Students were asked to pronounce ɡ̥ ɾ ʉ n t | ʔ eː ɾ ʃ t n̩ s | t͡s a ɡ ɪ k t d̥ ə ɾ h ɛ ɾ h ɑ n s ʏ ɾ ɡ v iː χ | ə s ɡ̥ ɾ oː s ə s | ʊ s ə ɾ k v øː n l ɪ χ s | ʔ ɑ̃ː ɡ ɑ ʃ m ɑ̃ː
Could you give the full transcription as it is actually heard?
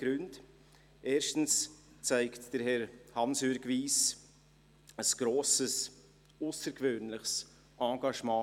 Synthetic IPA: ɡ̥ ɾ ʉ n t | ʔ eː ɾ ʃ t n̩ s | t͡s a ɪ k t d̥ ə ɾ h ɛ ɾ h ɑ n s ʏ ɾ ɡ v iː s | ə s ɡ̥ ɾ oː s ə s | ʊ s ə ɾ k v øː n l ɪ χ s | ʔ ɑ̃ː ɡ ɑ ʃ m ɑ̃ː